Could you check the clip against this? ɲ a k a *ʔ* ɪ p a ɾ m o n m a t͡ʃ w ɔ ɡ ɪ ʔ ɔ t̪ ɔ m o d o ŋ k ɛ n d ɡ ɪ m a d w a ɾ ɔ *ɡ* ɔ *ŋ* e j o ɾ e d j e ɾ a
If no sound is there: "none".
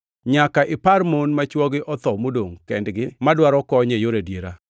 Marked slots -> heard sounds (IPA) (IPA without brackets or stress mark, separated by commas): ʔ, k, ɲ